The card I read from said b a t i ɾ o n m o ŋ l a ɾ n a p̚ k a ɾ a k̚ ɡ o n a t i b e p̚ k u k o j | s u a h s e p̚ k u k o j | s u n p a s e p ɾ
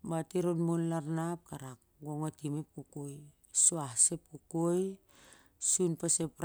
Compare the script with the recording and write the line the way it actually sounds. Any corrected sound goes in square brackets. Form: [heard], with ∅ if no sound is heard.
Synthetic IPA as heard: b a t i ɾ o n m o [n] l a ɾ n a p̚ k a ɾ a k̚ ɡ o [ŋ] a t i [m] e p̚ k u k o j | s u a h s e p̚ k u k o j | s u n p a s e p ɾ